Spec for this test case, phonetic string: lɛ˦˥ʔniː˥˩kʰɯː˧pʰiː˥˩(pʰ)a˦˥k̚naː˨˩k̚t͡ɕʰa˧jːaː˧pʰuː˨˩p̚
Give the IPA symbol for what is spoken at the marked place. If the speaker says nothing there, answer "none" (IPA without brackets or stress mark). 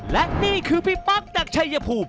p